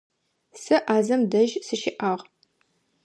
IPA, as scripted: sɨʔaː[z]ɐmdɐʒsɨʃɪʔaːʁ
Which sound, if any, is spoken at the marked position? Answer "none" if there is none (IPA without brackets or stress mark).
z